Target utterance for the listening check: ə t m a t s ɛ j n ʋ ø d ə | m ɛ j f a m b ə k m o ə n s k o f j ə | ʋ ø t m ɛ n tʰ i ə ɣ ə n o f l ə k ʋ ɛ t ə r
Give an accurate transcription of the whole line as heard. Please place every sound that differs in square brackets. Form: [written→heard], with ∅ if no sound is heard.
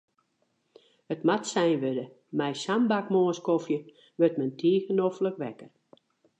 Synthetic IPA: ə t m a t s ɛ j n ʋ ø d ə | m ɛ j [f→s] a m b [ə→a] k m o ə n s k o f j ə | ʋ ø t m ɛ n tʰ i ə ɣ ə n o f l ə k ʋ ɛ [t→k] ə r